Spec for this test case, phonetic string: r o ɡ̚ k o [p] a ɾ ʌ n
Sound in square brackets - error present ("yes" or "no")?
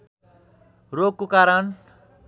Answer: yes